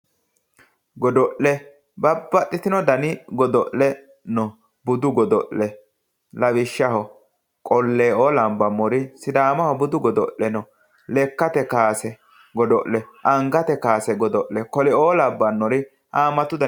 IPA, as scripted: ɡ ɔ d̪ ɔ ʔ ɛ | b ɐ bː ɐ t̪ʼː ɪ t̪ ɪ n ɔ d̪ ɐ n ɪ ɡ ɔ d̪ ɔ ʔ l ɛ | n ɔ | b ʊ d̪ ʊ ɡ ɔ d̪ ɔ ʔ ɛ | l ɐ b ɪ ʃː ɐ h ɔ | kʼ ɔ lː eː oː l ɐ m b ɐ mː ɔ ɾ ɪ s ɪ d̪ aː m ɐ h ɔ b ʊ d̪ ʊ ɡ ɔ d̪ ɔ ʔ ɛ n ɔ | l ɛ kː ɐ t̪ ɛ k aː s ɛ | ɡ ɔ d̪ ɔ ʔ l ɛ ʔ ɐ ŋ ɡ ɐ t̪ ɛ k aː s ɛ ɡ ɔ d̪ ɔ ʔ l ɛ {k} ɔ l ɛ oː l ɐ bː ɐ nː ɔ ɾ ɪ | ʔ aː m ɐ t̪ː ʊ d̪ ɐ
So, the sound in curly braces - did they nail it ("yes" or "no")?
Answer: yes